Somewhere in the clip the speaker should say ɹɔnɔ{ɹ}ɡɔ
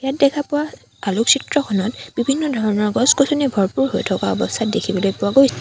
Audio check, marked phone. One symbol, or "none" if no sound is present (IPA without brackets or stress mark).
ɹ